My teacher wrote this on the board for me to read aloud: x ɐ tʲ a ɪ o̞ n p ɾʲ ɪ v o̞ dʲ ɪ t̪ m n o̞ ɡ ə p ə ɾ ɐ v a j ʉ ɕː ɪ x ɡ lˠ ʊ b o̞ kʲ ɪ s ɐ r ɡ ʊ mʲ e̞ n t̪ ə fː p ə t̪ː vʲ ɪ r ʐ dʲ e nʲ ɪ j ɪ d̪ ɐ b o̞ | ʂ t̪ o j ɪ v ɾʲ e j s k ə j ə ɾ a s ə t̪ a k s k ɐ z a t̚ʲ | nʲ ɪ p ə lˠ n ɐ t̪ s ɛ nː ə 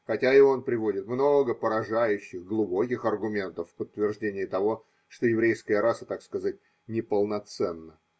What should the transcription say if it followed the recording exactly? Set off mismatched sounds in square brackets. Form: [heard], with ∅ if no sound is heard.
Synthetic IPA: x ɐ tʲ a ɪ o̞ n p ɾʲ ɪ v o̞ dʲ ɪ t̪ m n o̞ ɡ ə p ə ɾ ɐ [ʐ] a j ʉ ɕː ɪ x ɡ lˠ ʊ b o̞ kʲ ɪ [x] ɐ r ɡ ʊ mʲ e̞ n t̪ ə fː p ə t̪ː vʲ ɪ r ʐ dʲ e nʲ ɪ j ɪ [t̪] ɐ [v] o̞ | ʂ t̪ o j ɪ v ɾʲ e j s k ə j ə ɾ a s ə t̪ a k s k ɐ z a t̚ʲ | nʲ ɪ p ə lˠ n ɐ t̪ s ɛ nː ə